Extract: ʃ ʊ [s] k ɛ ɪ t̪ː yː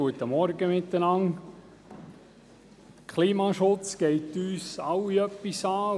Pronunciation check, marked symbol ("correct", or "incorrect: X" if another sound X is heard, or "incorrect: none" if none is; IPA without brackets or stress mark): incorrect: t͡s